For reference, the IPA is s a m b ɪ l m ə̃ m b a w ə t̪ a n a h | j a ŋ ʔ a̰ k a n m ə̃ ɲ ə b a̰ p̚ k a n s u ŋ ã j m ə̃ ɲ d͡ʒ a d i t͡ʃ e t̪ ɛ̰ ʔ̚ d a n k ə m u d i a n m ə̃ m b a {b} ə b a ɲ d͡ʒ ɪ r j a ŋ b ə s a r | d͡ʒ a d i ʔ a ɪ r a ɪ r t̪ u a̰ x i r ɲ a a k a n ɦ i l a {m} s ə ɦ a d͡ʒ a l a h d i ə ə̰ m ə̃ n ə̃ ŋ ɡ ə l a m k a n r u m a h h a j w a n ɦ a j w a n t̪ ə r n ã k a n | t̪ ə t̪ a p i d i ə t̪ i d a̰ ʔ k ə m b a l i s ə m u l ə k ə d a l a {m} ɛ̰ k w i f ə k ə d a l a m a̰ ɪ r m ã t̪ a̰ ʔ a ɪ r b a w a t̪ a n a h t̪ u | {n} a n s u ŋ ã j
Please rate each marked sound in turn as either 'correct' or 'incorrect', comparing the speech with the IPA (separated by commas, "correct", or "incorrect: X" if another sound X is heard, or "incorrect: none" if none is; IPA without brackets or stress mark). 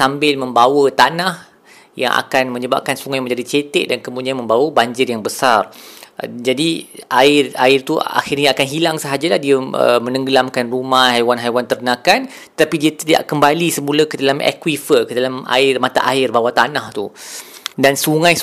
incorrect: w, incorrect: ŋ, correct, incorrect: d